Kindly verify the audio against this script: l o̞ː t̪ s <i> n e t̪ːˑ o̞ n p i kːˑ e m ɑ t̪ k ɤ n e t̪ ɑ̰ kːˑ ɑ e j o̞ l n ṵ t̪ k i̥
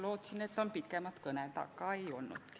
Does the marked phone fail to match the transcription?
no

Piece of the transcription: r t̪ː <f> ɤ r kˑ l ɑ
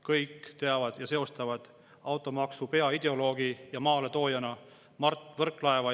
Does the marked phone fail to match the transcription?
yes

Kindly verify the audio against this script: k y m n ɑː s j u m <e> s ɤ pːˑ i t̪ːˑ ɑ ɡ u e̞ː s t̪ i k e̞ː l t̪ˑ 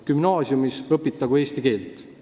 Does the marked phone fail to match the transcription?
yes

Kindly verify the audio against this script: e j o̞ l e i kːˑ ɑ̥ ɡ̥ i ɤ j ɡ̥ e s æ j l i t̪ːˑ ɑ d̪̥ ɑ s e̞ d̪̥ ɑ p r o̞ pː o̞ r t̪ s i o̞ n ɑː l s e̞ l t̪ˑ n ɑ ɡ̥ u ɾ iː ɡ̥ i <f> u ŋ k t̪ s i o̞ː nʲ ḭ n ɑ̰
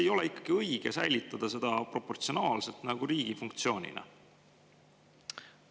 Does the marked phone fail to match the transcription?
no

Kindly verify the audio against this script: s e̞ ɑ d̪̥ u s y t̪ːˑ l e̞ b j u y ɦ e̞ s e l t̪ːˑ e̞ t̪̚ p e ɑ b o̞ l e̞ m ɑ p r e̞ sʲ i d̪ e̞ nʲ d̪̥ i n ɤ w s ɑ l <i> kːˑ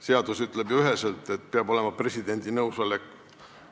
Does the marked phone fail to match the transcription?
yes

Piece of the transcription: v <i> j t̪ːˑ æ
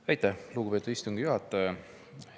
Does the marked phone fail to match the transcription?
yes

